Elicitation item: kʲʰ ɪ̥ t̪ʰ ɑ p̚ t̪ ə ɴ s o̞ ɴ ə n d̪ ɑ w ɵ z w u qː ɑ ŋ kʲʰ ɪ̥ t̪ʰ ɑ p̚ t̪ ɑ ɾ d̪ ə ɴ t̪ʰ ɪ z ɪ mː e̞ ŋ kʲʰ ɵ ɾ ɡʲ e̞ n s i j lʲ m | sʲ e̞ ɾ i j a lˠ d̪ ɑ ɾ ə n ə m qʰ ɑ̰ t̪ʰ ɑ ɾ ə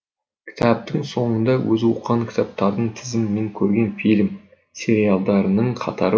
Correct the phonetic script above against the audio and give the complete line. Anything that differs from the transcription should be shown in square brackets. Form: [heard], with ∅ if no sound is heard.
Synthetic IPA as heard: kʲʰ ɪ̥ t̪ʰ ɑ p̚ t̪ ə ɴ s o̞ ɴ ə n d̪ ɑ w ɵ z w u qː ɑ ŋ kʲʰ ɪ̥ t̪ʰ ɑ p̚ t̪ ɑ ɾ d̪ ə ɴ t̪ʰ ɪ z ɪ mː e̞ ŋ kʲʰ ɵ ɾ ɡʲ e̞ n [f] i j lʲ m | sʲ e̞ ɾ i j a lˠ d̪ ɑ ɾ ə n ə [ɴ] qʰ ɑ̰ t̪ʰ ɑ ɾ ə